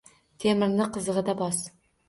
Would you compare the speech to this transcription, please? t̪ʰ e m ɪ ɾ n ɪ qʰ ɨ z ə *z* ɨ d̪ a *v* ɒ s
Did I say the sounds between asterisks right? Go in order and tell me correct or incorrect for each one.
incorrect: ʁ, incorrect: b

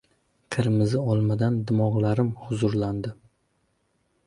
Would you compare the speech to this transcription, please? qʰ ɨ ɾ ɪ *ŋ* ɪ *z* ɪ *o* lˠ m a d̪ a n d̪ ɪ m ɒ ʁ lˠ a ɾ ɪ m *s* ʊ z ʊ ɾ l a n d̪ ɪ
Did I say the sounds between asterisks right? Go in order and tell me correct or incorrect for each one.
incorrect: m, correct, incorrect: ɒ, incorrect: h

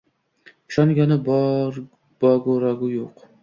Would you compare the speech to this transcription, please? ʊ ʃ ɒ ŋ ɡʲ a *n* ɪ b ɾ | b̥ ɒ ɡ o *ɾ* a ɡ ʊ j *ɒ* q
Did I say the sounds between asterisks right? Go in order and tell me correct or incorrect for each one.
correct, correct, incorrect: o

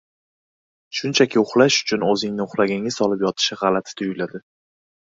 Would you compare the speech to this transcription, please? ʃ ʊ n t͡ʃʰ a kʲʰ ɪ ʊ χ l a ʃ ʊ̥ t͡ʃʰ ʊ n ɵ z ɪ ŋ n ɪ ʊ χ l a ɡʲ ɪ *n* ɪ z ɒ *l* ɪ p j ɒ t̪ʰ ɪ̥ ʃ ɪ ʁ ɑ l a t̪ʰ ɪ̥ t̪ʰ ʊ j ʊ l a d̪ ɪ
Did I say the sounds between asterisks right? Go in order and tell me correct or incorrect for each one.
incorrect: ŋ, correct

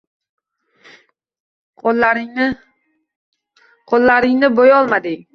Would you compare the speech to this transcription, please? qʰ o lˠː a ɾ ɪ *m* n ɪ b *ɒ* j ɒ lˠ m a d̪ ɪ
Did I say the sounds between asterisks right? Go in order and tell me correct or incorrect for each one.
incorrect: ŋ, incorrect: o

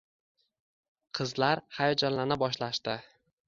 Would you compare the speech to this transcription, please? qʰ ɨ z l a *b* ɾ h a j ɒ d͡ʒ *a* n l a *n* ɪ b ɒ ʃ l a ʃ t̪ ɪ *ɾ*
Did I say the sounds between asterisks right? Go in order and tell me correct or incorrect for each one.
incorrect: none, correct, correct, incorrect: none

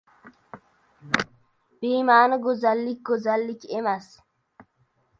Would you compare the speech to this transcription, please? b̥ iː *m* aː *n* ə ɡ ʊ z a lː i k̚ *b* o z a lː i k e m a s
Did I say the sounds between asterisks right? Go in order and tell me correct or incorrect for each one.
correct, correct, incorrect: ɡ

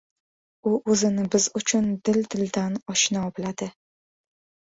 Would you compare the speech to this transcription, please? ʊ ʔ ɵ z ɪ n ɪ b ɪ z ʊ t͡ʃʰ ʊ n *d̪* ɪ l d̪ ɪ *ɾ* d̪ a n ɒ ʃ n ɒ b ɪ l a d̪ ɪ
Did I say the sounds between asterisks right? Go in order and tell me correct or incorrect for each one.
correct, incorrect: l

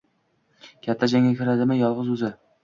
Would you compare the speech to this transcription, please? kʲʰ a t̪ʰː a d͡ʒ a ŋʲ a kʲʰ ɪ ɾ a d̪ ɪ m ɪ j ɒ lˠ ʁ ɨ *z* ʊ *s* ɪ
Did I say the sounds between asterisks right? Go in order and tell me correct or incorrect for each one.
correct, incorrect: z

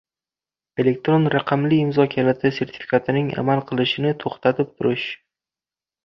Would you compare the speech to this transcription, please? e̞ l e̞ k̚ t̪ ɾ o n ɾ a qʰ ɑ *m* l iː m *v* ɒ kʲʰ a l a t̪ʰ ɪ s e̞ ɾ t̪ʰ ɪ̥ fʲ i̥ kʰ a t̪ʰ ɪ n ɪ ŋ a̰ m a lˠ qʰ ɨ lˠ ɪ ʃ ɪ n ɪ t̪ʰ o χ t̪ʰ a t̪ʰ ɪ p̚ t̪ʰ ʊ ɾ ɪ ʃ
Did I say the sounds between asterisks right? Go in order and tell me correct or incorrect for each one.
correct, incorrect: z

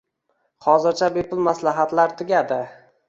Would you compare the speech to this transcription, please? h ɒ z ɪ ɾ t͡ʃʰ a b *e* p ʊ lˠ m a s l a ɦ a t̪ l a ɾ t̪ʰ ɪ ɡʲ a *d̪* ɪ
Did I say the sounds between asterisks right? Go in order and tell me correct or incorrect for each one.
correct, correct

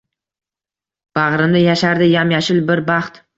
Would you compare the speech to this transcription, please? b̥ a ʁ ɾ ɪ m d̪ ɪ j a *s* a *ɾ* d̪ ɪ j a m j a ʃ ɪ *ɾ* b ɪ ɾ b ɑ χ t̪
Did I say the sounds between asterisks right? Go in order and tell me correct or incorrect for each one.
incorrect: ʃ, correct, incorrect: l

